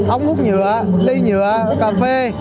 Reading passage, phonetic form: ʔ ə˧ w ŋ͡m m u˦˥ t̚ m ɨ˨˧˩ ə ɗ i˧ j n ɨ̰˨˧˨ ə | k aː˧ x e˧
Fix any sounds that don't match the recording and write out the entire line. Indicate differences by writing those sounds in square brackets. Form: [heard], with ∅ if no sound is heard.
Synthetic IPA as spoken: ʔ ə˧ w ŋ͡m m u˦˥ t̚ [ɲ] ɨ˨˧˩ ə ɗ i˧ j [ɲ] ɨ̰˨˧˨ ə | k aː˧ [f] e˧